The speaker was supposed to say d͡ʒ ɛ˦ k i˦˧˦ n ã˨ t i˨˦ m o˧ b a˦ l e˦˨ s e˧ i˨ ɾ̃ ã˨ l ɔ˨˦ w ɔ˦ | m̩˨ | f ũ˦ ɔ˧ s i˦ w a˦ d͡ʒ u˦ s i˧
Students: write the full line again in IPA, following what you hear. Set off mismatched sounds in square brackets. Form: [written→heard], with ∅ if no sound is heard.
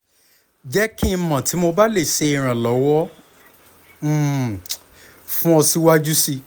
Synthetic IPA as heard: d͡ʒ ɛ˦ k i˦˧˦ [n→m] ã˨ t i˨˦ m o˧ b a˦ l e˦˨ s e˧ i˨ ɾ̃ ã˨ l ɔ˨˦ w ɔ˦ | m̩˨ | f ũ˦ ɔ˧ s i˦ w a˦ d͡ʒ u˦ s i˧